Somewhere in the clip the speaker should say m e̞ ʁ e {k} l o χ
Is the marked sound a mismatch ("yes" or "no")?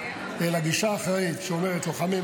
yes